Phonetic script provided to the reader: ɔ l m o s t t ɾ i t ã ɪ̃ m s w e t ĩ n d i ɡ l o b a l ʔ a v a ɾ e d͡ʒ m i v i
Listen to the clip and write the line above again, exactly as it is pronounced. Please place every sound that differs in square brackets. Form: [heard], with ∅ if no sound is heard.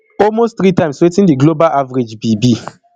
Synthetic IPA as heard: ɔ l m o s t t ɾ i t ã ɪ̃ m s w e t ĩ n d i ɡ l o b a l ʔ a v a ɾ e d͡ʒ [b] i [b] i